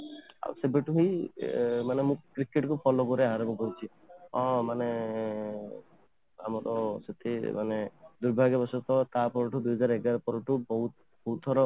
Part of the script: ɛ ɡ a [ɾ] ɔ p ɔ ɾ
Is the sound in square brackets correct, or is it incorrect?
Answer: correct